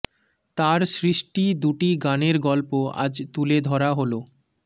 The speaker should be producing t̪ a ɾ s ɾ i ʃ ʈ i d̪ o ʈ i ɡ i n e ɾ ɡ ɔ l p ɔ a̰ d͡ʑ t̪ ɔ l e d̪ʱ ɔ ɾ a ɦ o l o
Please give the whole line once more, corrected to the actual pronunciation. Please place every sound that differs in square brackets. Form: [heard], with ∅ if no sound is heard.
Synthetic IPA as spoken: t̪ a ɾ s ɾ i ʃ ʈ i d̪ [u] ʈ i ɡ [a] n e ɾ ɡ ɔ l p [o] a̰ d͡ʑ t̪ [u] l e d̪ʱ ɔ ɾ a ɦ o l o